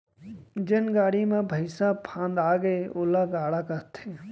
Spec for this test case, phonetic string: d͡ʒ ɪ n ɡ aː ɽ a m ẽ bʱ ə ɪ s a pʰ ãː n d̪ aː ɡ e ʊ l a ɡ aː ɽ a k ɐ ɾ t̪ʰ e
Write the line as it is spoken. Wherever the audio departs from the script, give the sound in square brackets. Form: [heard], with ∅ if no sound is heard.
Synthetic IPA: d͡ʒ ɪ n ɡ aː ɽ [i] m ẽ bʱ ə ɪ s a pʰ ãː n d̪ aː ɡ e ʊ l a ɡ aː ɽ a k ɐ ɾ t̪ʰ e